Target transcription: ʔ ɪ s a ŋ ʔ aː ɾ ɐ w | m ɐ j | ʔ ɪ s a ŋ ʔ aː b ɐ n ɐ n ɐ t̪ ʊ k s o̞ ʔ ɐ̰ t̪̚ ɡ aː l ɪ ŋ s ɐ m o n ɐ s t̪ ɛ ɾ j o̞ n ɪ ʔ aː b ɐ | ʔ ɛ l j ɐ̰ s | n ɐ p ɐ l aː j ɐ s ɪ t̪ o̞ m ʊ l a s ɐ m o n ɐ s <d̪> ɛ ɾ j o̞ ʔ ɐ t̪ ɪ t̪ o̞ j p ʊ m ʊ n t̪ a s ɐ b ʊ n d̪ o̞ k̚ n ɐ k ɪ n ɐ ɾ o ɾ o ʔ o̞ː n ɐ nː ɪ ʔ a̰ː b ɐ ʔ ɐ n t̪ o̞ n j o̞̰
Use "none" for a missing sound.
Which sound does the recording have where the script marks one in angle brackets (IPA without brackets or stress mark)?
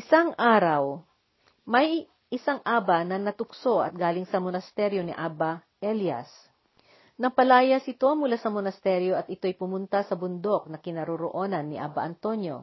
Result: t̪